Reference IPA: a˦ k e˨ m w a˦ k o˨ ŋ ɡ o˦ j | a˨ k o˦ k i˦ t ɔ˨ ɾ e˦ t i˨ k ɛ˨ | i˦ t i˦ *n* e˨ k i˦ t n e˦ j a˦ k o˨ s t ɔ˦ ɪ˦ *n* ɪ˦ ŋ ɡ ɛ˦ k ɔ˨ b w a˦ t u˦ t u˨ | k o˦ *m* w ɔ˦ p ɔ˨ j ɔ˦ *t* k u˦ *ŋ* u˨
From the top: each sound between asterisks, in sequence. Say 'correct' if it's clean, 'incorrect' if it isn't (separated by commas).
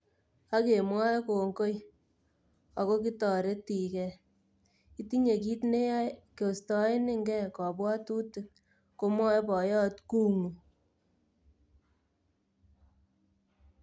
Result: incorrect, correct, correct, correct, correct